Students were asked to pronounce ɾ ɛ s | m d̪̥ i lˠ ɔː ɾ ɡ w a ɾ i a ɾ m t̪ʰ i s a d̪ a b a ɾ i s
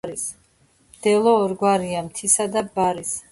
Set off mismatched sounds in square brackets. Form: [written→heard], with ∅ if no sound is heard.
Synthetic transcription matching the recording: ɾ [ɛ→i] s | m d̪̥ [i→ɛ] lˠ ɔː ɾ ɡ w a ɾ i a [ɾ→∅] m t̪ʰ i s a d̪ a b a ɾ i s